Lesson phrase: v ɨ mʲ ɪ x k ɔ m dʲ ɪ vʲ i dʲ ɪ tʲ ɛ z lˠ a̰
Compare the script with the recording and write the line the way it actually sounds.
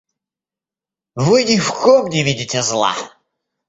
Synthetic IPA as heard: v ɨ nʲ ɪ f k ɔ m nʲ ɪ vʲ i dʲ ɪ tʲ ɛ z lˠ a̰

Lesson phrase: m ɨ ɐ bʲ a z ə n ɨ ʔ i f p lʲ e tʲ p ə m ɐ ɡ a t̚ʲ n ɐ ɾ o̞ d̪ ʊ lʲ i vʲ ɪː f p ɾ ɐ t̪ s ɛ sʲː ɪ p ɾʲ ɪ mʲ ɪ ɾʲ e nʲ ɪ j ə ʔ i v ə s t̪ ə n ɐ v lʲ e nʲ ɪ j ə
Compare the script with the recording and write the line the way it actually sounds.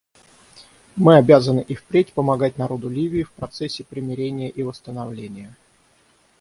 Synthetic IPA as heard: m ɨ ɐ bʲ a z ə n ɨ ʔ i f p ɾʲ e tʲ p ə m ɐ ɡ a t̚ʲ n ɐ ɾ o̞ d̪ ʊ lʲ i vʲ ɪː f p ɾ ɐ t̪ s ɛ sʲː ɪ p ɾʲ ɪ mʲ ɪ ɾʲ e nʲ ɪ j ə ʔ i v ə s t̪ ə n ɐ v lʲ e nʲ ɪ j ə

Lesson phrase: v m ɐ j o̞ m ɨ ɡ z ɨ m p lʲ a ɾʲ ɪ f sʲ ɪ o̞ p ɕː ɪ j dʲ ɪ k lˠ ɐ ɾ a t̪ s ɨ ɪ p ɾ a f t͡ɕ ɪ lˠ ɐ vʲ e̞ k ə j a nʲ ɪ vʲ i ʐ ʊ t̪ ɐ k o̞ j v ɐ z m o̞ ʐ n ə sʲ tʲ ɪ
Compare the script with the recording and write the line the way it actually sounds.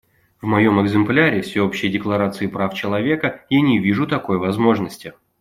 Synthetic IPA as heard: v m ɐ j o̞ m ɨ ɡ z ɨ m p lʲ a ɾʲ ɪ f sʲ ɪ o̞ p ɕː ɪ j dʲ ɪ k lˠ ɐ ɾ a t̪ s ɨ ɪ p ɾ a f t͡ɕ ɪ lˠ ɐ vʲ e̞ k ə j a nʲ ɪ vʲ i ʐ ʊ t̪ ɐ k o̞ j v ɐ z m o̞ ʐ n ə sʲ tʲ ɪ

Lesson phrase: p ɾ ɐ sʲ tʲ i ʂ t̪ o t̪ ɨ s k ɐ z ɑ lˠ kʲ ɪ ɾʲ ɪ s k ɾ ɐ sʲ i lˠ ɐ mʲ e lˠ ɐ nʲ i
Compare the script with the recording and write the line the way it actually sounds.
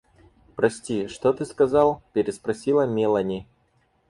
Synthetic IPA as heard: p ɾ ɐ sʲ tʲ i ʂ t̪ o t̪ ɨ s k ɐ z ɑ lˠ pʲ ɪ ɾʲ ɪ s p ɾ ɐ sʲ i lˠ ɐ mʲ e lˠ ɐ nʲ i

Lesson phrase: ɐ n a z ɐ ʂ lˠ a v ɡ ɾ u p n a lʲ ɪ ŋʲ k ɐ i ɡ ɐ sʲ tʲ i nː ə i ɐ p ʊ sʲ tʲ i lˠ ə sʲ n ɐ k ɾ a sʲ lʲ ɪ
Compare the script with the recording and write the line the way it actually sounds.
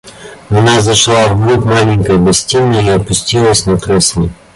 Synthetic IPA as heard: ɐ n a z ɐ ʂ lˠ a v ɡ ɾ u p m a lʲ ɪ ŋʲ k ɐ j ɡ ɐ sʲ tʲ i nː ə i ɐ p ʊ sʲ tʲ i lˠ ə sʲ n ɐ k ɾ ɛ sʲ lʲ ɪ

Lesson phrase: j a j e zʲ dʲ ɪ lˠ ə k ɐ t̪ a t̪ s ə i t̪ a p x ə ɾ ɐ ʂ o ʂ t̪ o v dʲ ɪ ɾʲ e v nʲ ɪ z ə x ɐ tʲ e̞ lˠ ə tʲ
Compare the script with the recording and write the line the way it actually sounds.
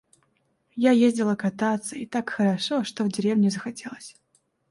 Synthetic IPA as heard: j a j e zʲ dʲ ɪ lˠ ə k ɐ t̪ a t̪ s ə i t̪ a k x ə ɾ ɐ ʂ o ʂ t̪ o v dʲ ɪ ɾʲ e v nʲ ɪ z ə x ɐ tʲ e̞ lˠ ə sʲ

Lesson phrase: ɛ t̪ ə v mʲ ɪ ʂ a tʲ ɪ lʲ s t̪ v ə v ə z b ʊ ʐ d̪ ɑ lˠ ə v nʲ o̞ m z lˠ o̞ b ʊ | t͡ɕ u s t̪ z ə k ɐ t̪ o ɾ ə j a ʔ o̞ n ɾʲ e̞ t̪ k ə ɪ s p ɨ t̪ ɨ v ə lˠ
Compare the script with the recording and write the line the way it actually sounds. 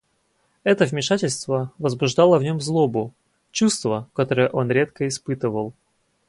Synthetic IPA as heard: ɛ t̪ ə v mʲ ɪ ʂ a tʲ ɪ lʲ s t̪ v ə v ə z b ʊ ʐ d̪ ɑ lˠ ə v nʲ o̞ m z lˠ o̞ b ʊ | t͡ɕ u s t̪ v ə k ɐ t̪ o ɾ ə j ə ʔ o̞ n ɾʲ e̞ t̪ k ə ɪ s p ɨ t̪ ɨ v ə lˠ

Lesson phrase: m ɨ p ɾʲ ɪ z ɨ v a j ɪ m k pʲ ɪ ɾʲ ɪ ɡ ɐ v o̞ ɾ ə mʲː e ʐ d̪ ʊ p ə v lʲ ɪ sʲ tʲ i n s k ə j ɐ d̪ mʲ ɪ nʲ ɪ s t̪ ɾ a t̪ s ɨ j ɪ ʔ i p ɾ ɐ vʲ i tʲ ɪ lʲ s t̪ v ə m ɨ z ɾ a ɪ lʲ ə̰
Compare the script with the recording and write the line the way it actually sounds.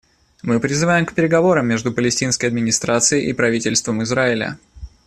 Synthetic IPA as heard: m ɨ p ɾʲ ɪ z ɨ v a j ɪ m k pʲ ɪ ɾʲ ɪ ɡ ɐ v o̞ ɾ ə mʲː e ʐ d̪ ʊ p ə lʲ ɪ sʲ tʲ i n s k ə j ɐ d̪ mʲ ɪ nʲ ɪ s t̪ ɾ a t̪ s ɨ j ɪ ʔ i p ɾ ɐ vʲ i tʲ ɪ lʲ s t̪ v ə m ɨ z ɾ a ɪ lʲ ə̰

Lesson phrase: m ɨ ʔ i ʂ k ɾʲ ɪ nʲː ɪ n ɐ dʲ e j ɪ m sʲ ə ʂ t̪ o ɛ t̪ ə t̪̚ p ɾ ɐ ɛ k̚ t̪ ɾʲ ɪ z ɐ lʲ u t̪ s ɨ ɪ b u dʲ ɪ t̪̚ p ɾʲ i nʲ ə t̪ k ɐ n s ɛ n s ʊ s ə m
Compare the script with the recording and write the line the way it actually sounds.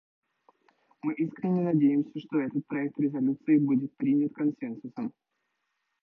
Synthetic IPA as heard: m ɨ ʔ i s k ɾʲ ɪ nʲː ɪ n ɐ dʲ e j ɪ m sʲ ə ʂ t̪ o ɛ t̪ ə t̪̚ p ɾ ɐ ɛ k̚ t̪ ɾʲ ɪ z ɐ lʲ u t̪ s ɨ ɪ b u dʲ ɪ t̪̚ p ɾʲ i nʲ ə t̪ k ɐ n s ɛ n s ʊ s ə m

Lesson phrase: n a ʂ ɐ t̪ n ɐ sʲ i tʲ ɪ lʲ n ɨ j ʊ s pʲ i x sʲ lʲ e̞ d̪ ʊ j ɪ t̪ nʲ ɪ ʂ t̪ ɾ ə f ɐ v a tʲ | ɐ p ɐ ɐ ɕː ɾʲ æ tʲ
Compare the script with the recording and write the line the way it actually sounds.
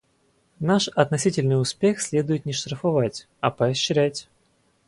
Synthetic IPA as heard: n a ʂ ɐ t̪ n ɐ sʲ i tʲ ɪ lʲ n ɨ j ʊ s pʲ e x sʲ lʲ e̞ d̪ ʊ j ɪ t̪ nʲ ɪ ʂ t̪ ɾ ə f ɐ v a tʲ | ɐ p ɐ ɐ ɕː ɾʲ æ tʲ

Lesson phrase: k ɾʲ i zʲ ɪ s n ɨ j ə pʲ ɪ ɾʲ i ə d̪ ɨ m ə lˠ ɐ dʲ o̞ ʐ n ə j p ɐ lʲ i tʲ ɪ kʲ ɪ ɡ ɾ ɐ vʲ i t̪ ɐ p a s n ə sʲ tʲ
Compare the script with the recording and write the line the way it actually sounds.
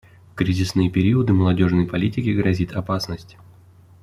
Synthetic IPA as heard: k ɾʲ i zʲ ɪ s n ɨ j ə pʲ ɪ ɾʲ i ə d̪ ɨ m ə lˠ ɐ dʲ o̞ ʐ n ə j p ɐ lʲ i tʲ ɪ kʲ ɪ ɡ ɾ ɐ zʲ i t̪ ɐ p a s n ə sʲ tʲ

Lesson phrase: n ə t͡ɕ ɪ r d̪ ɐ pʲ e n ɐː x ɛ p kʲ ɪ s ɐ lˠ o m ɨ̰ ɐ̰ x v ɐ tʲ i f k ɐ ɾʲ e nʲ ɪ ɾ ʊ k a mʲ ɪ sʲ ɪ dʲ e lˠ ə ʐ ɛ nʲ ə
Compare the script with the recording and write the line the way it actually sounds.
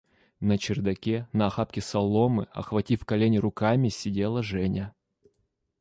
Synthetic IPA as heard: n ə t͡ɕ ɪ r d̪ ɐ kʲ e n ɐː x a p kʲ ɪ s ɐ lˠ o m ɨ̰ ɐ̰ x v ɐ tʲ i f k ɐ lʲ e nʲ ɪ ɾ ʊ k a mʲ ɪ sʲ ɪ dʲ e lˠ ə ʐ ɛ nʲ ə

